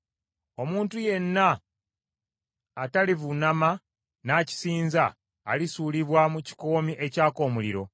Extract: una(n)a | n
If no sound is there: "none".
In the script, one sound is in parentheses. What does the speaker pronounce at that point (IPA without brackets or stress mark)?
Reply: m